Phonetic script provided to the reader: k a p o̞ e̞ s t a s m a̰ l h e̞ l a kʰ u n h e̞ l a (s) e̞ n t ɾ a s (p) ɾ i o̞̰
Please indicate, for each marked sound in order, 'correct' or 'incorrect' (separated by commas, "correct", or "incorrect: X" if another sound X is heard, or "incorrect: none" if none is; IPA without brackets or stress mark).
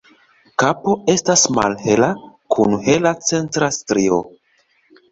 incorrect: t͡s, incorrect: t